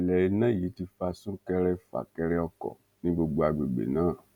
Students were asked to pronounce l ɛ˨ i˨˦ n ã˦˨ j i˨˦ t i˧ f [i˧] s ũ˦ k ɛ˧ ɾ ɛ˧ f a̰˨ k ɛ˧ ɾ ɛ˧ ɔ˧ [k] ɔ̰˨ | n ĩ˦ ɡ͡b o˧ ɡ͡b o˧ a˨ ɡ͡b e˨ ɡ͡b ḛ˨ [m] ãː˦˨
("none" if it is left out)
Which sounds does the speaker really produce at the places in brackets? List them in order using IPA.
a˧, k, n

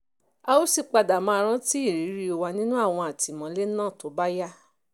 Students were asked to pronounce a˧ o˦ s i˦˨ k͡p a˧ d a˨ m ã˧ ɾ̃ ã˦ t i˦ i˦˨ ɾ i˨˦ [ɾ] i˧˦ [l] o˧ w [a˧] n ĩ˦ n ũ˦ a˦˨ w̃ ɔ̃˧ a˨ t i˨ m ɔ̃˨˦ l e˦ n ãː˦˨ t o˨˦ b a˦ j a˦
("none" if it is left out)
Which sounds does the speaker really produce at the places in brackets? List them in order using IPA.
ɾ, none, a˧

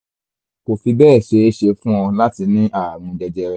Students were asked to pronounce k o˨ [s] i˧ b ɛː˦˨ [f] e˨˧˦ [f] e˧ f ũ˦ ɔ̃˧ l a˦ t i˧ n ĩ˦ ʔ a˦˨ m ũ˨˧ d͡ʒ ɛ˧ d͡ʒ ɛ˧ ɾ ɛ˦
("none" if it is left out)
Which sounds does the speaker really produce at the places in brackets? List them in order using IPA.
f, ʃ, ʃ

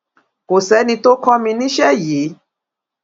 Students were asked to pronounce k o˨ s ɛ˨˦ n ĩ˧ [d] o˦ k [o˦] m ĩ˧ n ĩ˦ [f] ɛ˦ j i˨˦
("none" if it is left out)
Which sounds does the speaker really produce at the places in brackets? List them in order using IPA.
t, ɔ˦, ʃ

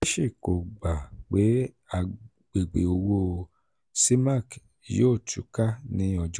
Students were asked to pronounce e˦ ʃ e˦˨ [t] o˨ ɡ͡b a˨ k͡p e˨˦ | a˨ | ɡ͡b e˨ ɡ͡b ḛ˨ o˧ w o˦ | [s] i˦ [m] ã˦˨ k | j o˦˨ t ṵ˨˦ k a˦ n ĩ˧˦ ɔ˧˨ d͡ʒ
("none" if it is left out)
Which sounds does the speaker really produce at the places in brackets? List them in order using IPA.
k, s, m

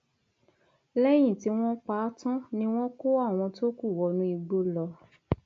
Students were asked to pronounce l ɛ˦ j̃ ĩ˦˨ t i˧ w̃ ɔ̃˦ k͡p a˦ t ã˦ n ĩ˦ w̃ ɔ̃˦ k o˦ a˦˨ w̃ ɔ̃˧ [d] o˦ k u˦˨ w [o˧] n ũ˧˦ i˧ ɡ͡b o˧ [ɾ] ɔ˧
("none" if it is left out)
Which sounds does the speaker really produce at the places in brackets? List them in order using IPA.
t, ɔ˧, l

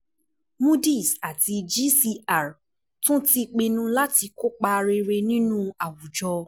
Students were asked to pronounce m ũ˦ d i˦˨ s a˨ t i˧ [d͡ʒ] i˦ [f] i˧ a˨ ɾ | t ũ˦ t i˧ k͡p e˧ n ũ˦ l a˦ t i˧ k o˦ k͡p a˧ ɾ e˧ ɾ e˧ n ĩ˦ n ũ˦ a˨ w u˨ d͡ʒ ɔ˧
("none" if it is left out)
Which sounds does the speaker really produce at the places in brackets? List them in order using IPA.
d͡ʒ, s

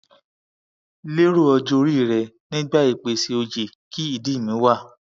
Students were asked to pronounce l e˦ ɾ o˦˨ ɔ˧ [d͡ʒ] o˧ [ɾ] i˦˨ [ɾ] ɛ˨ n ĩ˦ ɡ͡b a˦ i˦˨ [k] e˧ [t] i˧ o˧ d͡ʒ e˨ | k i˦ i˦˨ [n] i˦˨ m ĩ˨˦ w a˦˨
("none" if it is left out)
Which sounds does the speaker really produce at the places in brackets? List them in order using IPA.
d͡ʒ, ɾ, ɾ, k͡p, s, d

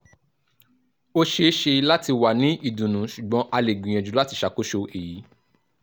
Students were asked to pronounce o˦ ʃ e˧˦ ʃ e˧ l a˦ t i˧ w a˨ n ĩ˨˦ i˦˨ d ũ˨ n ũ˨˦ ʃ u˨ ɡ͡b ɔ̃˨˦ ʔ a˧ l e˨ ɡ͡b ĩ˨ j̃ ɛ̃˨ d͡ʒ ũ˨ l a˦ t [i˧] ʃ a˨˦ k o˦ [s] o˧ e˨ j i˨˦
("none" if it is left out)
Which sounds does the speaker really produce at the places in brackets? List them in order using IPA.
i˧, ʃ

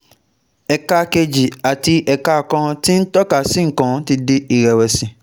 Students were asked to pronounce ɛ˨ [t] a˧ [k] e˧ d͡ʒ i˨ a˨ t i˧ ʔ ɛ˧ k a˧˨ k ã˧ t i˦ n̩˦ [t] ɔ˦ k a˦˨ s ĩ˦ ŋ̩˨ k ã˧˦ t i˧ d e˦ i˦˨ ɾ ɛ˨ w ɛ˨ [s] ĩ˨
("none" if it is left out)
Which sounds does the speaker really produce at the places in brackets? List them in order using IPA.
k, k, t, s

